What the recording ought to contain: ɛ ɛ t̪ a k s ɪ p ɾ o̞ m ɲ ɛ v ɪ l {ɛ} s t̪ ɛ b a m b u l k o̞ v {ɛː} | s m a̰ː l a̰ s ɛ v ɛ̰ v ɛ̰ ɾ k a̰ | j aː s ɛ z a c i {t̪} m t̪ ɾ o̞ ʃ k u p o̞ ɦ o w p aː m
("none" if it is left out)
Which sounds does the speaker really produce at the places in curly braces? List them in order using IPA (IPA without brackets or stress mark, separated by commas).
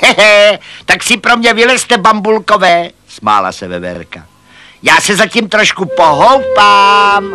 ɛ, ɛː, none